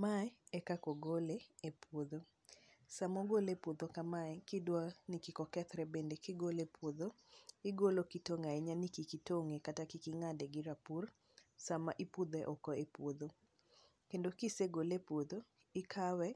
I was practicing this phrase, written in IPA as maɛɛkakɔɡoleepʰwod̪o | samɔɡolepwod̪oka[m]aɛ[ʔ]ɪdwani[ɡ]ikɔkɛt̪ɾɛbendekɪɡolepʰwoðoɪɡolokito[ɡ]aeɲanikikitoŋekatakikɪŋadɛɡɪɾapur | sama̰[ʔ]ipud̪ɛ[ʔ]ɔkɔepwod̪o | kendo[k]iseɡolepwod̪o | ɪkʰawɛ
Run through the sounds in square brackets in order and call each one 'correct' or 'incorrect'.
correct, incorrect: k, incorrect: k, incorrect: ŋ, correct, correct, correct

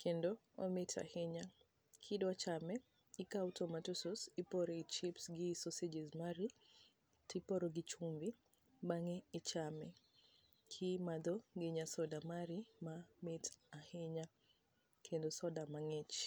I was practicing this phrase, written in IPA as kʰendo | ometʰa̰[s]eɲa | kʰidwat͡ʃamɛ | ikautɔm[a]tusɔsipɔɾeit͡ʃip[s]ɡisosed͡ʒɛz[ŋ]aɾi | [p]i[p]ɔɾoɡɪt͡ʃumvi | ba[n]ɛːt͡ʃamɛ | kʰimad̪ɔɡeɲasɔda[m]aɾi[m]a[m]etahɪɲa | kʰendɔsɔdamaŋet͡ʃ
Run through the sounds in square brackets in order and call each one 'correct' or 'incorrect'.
incorrect: h, correct, correct, incorrect: m, incorrect: t, correct, incorrect: ŋ, correct, correct, correct

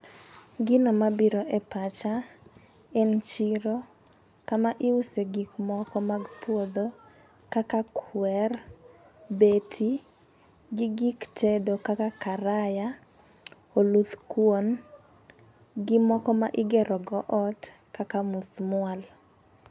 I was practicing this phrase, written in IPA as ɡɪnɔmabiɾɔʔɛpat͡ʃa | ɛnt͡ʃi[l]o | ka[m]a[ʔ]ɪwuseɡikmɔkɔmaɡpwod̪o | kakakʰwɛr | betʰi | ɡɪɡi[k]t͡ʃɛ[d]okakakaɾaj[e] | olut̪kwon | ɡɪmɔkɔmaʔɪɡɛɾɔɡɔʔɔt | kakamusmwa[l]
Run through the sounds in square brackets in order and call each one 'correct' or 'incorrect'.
incorrect: ɾ, correct, correct, correct, correct, incorrect: a, correct

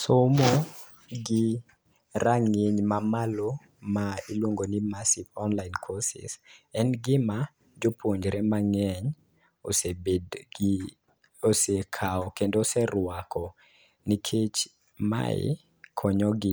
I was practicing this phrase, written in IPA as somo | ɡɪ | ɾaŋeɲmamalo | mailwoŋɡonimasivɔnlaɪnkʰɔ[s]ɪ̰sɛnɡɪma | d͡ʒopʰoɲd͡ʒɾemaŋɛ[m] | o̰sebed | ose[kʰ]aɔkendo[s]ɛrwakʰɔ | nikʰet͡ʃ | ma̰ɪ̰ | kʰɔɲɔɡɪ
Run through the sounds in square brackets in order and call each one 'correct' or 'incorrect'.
correct, incorrect: ɲ, correct, correct

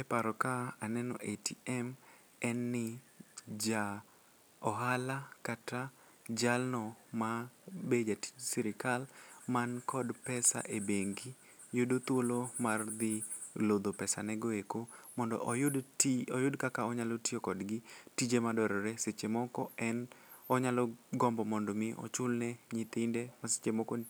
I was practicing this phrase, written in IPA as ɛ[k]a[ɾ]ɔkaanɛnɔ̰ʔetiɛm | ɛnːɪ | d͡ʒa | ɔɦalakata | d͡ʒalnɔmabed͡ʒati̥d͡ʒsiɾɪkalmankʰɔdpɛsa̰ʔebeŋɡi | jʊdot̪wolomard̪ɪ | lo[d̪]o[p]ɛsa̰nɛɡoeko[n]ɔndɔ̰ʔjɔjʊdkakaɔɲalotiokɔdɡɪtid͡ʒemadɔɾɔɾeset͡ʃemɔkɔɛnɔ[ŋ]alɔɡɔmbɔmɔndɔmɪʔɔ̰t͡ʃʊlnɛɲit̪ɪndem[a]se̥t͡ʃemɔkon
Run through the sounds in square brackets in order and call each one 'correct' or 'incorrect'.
incorrect: p, correct, correct, correct, incorrect: m, incorrect: ɲ, correct

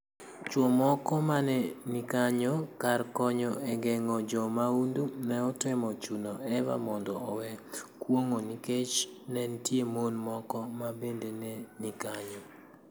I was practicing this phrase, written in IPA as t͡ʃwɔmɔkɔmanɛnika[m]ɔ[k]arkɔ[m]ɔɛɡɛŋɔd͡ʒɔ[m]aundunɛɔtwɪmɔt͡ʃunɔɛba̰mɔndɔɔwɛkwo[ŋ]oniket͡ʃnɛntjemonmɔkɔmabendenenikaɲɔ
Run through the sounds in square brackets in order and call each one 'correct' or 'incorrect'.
incorrect: ɲ, correct, incorrect: ɲ, correct, correct

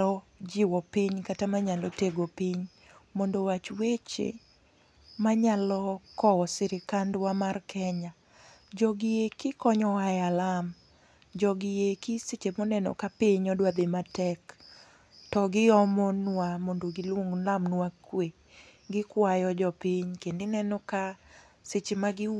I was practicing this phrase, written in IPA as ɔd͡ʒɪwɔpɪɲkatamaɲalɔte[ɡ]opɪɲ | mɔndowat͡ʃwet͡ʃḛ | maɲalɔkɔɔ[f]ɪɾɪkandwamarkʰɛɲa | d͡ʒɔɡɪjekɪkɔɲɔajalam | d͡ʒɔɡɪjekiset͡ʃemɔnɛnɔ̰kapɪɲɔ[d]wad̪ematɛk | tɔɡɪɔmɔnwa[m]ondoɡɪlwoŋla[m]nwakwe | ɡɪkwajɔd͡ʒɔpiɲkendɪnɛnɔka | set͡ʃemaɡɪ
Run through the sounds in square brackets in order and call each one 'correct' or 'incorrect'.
correct, incorrect: s, correct, correct, correct

